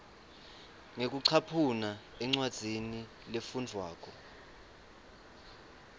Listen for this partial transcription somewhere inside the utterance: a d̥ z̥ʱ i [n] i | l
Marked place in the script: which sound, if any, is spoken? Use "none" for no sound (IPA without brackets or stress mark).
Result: n